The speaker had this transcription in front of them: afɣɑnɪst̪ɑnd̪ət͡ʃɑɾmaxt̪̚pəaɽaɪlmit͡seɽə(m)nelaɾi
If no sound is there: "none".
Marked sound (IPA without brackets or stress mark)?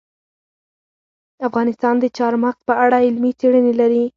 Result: none